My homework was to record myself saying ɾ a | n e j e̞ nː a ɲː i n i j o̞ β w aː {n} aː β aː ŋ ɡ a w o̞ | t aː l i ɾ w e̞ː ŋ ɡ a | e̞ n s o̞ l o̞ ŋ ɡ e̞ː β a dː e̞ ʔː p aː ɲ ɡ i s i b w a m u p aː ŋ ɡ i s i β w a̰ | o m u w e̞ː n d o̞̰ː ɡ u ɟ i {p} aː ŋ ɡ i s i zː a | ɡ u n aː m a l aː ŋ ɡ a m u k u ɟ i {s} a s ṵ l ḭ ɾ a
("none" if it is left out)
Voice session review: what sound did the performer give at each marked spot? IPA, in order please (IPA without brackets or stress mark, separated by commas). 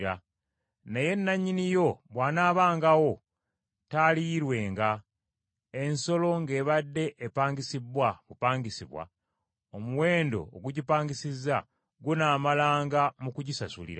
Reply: n, p, s